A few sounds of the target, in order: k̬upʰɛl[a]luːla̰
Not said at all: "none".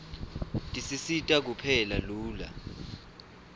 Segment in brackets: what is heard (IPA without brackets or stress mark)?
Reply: a